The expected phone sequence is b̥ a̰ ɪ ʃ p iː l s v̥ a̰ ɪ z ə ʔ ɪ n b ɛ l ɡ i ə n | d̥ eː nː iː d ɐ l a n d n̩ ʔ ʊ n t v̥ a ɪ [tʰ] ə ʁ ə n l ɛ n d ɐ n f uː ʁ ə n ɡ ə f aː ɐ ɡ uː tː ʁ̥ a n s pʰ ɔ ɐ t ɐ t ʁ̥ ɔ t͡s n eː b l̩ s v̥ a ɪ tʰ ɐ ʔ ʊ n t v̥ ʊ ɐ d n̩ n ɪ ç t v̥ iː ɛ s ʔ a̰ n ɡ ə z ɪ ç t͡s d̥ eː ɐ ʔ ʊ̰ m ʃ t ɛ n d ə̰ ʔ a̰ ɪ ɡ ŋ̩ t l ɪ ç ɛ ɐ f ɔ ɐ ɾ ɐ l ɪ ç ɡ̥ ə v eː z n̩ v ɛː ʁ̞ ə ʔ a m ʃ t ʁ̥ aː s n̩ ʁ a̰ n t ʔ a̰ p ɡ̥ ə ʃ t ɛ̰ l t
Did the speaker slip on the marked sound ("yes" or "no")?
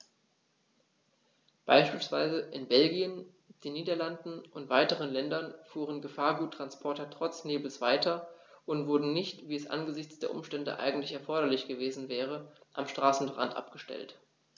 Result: yes